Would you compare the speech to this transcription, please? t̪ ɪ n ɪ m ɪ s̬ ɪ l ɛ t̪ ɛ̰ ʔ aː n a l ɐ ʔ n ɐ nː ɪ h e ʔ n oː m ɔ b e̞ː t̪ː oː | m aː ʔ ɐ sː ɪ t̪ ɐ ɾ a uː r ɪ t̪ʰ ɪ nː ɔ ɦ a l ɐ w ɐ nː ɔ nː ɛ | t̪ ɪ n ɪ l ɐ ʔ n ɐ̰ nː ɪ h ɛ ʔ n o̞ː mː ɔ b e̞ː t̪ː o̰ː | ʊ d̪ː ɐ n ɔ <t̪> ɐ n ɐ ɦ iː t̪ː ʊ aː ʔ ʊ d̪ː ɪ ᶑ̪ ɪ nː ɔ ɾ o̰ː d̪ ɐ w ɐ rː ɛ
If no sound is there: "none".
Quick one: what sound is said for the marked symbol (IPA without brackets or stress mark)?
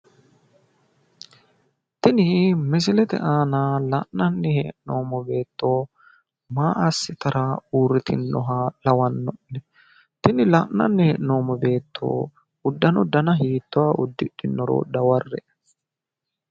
d̪